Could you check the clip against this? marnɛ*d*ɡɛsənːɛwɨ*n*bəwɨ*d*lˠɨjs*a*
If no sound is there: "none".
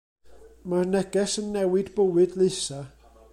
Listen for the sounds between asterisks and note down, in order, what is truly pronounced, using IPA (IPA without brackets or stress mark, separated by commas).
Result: none, d, d, a